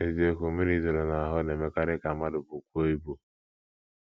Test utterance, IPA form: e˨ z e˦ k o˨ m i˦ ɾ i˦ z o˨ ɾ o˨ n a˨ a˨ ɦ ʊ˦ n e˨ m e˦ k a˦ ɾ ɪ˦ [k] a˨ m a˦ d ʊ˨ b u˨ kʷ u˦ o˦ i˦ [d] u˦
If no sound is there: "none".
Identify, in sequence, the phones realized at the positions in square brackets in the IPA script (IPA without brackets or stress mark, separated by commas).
k, b